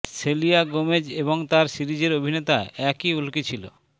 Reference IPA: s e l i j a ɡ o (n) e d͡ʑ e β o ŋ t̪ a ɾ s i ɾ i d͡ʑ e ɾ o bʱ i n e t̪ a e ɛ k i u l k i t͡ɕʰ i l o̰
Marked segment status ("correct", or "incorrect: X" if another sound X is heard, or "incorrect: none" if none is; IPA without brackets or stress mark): incorrect: m